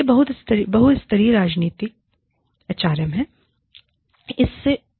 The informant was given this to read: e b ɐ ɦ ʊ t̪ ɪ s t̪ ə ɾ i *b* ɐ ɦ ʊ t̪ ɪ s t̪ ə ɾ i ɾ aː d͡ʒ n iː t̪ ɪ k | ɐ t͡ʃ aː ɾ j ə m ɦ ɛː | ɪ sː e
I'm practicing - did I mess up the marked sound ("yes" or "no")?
no